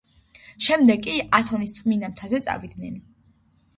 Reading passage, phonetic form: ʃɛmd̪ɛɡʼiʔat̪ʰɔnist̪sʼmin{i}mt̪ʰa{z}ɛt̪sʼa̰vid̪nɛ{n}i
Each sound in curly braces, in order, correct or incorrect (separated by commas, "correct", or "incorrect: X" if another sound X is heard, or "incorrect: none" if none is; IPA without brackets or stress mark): incorrect: a, correct, correct